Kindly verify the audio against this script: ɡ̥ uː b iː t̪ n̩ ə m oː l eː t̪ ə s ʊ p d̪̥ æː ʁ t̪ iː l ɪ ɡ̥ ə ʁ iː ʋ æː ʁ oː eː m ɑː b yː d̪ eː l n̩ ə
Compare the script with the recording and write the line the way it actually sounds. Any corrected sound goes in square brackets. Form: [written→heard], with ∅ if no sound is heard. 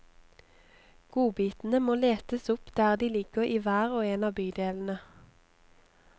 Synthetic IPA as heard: ɡ̥ uː b iː t̪ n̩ ə m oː l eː t̪ ə s ʊ p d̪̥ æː ʁ [t̪→d̪] iː l ɪ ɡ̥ ə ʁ iː ʋ æː ʁ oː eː [m→n] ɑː b yː d̪ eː l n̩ ə